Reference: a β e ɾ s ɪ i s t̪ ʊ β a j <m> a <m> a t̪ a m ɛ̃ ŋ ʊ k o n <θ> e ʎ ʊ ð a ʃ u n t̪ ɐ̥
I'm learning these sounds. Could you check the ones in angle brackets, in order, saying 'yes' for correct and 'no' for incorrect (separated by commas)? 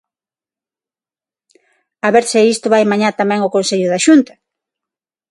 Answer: yes, no, no